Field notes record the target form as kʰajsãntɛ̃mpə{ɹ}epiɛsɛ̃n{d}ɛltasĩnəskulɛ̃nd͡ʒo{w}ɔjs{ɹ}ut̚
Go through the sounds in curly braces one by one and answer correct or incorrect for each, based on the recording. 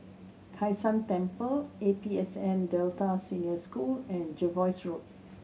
incorrect, correct, incorrect, correct

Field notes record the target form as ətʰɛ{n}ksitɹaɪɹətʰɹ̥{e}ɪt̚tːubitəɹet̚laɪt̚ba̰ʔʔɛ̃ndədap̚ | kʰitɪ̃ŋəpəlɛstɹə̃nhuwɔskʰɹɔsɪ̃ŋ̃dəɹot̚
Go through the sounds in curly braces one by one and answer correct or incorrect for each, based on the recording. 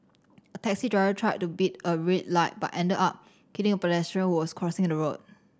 incorrect, incorrect

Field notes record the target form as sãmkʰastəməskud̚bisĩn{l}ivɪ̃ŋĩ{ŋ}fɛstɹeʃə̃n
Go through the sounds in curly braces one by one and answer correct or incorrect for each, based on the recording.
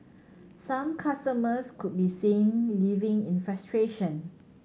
correct, incorrect

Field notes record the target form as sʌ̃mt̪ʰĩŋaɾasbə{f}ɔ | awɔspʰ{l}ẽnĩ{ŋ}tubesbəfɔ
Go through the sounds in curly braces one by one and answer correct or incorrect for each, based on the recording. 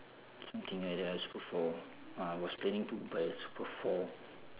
correct, correct, correct

